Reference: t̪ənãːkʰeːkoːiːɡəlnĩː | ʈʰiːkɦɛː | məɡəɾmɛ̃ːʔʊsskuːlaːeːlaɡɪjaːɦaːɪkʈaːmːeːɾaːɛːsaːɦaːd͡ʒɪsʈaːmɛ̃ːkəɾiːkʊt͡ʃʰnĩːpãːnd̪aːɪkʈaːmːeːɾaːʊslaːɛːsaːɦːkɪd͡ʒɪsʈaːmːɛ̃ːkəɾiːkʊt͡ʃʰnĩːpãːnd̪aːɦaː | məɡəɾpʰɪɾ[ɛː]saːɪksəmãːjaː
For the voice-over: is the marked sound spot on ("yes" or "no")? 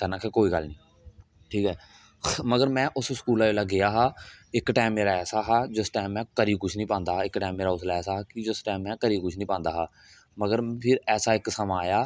yes